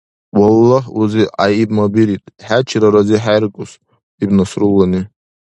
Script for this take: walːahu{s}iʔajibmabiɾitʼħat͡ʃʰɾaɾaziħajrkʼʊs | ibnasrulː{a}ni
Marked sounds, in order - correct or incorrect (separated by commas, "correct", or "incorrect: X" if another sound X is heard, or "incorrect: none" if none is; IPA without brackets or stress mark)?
incorrect: z, correct